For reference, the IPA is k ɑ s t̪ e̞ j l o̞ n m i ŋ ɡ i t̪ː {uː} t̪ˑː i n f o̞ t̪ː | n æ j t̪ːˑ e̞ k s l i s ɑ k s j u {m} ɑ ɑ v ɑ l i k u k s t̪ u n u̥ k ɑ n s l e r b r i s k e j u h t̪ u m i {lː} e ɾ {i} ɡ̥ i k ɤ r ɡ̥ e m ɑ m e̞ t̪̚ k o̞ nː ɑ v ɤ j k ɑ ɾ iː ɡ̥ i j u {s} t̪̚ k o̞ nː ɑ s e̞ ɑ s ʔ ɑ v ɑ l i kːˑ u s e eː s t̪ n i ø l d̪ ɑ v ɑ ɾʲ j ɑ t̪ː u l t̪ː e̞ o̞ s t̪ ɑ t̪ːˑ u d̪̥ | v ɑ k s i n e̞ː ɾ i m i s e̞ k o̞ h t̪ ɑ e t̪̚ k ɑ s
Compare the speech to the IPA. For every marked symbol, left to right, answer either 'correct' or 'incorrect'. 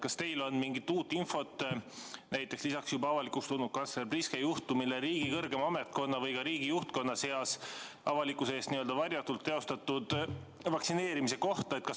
correct, incorrect: b, incorrect: l, incorrect: iː, incorrect: h

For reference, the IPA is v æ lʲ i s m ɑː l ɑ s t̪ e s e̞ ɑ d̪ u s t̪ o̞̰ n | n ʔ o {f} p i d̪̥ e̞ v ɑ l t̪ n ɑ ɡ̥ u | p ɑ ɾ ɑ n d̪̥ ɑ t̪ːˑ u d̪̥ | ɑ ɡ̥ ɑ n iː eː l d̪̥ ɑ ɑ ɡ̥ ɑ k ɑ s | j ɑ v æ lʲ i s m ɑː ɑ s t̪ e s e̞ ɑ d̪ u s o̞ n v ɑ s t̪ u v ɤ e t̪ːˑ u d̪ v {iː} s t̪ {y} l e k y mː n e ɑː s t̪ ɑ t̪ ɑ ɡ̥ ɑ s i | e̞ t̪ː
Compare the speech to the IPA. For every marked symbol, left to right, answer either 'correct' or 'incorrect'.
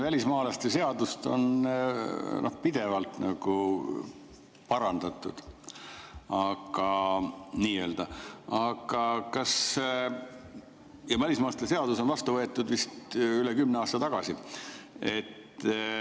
incorrect: h, incorrect: i, correct

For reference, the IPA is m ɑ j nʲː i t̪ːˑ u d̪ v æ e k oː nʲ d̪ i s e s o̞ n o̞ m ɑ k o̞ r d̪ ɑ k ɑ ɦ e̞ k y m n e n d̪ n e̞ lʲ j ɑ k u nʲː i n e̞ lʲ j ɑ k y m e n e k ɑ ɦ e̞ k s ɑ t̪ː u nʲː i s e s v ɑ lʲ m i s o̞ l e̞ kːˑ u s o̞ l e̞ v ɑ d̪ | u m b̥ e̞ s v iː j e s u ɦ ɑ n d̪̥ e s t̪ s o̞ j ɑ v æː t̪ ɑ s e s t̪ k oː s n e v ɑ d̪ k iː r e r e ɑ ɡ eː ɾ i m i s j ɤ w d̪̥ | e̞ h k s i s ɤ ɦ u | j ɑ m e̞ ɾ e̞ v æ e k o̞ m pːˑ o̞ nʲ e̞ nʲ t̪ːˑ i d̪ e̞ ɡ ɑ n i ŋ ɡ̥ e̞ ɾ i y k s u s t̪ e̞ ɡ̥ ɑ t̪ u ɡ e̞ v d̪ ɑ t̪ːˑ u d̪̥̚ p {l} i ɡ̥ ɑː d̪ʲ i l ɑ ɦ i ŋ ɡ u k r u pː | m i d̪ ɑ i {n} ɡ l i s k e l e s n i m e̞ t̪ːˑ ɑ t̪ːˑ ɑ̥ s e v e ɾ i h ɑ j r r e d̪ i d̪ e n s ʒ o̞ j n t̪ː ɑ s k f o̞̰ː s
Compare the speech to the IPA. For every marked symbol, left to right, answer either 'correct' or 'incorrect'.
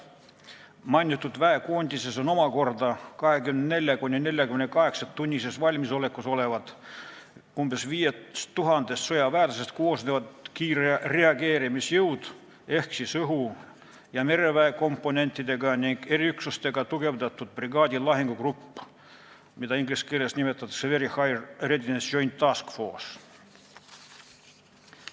incorrect: r, incorrect: ŋ

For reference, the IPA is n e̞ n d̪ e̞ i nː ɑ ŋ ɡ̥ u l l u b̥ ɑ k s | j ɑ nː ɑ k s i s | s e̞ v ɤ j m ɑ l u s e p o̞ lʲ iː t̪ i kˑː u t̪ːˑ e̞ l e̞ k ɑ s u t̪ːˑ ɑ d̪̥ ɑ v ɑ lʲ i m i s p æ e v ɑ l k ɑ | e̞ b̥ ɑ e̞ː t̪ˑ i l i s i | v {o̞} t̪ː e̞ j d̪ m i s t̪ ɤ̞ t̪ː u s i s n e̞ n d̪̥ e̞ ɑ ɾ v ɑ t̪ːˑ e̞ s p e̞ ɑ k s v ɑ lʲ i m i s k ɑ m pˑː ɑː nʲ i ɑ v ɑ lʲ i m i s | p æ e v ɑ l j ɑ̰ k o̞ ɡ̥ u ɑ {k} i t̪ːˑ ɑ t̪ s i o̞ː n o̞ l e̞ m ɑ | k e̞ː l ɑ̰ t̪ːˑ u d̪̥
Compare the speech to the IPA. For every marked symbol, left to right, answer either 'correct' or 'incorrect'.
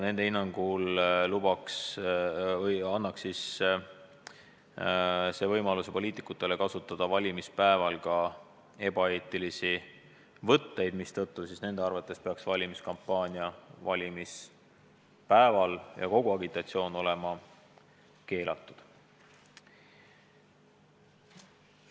incorrect: ɤ̞, incorrect: ɡ

